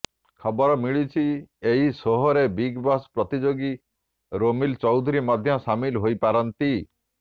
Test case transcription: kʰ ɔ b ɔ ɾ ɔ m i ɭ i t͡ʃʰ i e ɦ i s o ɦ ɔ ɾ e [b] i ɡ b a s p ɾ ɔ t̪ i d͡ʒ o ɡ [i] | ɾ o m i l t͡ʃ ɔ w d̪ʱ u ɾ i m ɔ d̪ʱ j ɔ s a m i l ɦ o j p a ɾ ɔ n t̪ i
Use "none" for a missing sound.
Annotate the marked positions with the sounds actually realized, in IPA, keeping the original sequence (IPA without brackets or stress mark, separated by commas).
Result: b, i